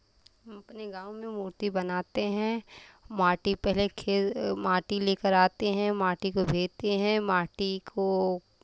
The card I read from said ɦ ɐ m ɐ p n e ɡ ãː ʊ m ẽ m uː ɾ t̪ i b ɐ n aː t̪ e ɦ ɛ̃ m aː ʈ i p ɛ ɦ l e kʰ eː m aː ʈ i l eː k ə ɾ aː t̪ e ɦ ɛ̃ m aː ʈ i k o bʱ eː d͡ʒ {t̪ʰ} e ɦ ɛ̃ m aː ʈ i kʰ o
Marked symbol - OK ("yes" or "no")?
no